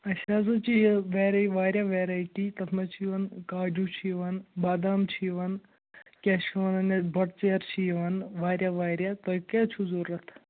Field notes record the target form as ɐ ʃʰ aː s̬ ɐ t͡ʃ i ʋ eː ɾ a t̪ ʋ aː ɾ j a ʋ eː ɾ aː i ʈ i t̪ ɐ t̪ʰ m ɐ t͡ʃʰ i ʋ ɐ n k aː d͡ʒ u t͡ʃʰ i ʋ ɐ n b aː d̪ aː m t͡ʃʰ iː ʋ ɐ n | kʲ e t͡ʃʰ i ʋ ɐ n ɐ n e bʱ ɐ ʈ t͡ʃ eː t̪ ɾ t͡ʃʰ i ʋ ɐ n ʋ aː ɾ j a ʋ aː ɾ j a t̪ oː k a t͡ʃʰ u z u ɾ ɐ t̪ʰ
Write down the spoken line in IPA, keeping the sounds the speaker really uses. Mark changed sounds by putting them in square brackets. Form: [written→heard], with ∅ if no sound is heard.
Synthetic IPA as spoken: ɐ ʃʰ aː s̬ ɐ t͡ʃ i ʋ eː ɾ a [t̪→∅] ʋ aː ɾ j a ʋ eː ɾ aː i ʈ i t̪ ɐ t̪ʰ m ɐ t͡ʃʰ i ʋ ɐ n k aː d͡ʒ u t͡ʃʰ i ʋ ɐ n b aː d̪ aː m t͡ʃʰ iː ʋ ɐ n | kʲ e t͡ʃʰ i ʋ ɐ n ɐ n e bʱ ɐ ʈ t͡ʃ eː [t̪→∅] ɾ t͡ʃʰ i ʋ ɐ n ʋ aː ɾ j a ʋ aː ɾ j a t̪ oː k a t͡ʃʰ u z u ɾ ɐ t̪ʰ